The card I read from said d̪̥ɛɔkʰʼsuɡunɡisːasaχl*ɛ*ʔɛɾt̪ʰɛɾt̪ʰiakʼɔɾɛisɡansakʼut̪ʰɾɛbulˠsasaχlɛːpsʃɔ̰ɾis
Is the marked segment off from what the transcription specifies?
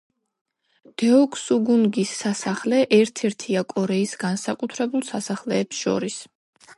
no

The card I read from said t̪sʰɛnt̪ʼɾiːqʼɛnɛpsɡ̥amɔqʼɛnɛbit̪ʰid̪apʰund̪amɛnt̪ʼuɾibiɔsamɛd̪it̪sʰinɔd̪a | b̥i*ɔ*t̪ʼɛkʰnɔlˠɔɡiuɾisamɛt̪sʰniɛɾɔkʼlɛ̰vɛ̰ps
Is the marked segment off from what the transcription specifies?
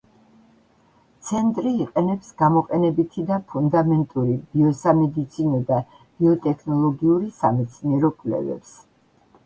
no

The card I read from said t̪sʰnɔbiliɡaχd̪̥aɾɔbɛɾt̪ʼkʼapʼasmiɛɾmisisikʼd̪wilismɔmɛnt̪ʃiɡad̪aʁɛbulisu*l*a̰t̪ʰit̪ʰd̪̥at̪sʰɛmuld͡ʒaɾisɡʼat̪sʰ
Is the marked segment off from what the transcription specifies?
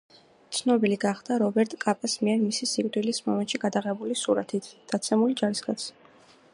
yes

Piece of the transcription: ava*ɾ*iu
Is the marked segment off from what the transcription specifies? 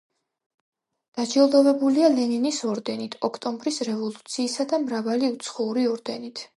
yes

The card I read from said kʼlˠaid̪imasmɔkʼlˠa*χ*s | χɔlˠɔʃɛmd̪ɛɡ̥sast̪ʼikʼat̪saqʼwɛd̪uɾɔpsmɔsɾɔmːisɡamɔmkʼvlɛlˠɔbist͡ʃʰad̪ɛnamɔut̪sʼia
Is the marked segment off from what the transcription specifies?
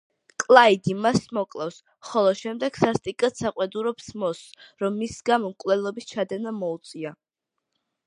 yes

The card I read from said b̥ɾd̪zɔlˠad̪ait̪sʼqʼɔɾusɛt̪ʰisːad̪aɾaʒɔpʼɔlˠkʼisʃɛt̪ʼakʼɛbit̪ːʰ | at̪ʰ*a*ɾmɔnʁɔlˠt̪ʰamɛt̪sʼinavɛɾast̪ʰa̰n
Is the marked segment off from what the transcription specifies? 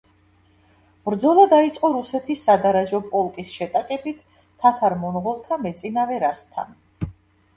no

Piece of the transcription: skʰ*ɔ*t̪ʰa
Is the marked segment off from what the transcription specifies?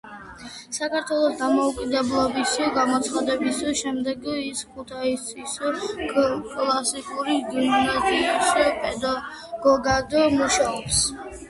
yes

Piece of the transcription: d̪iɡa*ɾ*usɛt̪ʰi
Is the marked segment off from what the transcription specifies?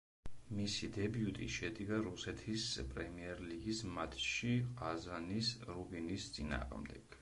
no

